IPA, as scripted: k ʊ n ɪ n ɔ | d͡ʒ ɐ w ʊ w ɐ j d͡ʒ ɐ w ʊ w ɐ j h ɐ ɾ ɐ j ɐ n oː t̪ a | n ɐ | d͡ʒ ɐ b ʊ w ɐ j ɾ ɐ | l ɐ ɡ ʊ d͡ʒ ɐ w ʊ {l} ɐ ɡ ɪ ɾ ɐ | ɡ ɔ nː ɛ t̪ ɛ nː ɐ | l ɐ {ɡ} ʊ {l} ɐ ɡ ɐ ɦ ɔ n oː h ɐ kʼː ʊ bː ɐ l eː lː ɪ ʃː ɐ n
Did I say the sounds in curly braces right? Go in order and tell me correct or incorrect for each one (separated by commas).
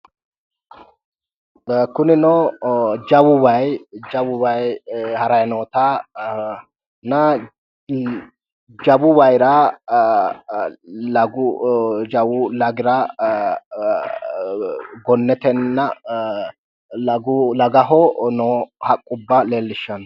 correct, correct, correct